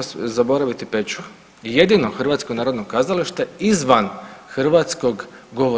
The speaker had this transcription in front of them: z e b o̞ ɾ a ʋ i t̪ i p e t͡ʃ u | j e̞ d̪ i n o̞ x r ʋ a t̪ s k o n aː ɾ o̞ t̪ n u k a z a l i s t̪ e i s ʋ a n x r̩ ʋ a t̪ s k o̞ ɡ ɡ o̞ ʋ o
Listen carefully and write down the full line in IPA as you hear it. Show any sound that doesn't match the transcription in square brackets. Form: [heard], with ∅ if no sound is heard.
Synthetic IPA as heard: z [a] b o̞ ɾ a ʋ i t̪ i p e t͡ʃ u | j e̞ d̪ i n o̞ x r ʋ a t̪ s k o n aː ɾ o̞ [d̪] n [o] k a z a l i [ʃ] t̪ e i [z] ʋ a n x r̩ ʋ a t̪ s k o̞ ɡ ɡ o̞ ʋ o